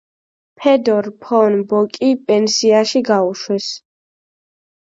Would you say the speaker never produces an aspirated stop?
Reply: no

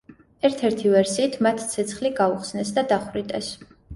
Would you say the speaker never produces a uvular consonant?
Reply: no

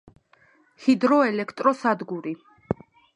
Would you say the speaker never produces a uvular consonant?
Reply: yes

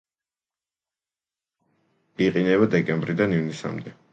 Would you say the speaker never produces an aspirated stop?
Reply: yes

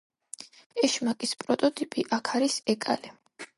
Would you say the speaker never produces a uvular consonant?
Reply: yes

